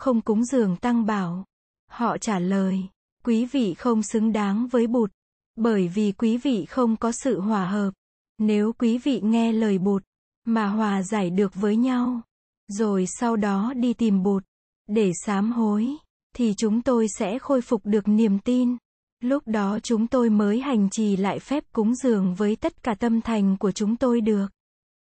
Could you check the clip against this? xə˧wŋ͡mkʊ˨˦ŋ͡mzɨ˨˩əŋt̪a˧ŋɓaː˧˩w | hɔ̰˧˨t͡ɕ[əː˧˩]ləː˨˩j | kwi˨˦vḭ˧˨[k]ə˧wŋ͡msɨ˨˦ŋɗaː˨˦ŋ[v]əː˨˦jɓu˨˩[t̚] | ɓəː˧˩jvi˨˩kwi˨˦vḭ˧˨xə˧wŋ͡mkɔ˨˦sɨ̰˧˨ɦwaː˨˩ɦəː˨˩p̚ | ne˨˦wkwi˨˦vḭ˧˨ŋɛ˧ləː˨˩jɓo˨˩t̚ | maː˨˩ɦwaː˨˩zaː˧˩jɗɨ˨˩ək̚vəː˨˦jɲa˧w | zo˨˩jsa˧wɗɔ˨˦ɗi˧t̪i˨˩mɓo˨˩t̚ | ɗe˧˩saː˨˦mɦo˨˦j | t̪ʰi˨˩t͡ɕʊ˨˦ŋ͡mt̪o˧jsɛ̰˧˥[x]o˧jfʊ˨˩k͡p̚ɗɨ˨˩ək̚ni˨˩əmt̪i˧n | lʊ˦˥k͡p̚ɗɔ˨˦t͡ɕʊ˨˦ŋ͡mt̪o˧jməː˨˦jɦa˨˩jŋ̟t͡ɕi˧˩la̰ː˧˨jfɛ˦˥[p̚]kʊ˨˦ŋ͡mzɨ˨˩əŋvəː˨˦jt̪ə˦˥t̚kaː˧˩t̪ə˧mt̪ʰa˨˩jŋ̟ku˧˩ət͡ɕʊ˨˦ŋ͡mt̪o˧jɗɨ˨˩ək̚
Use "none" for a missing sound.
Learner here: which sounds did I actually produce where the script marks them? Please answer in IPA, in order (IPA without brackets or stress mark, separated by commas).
aː˧˩, x, v, t̚, x, p̚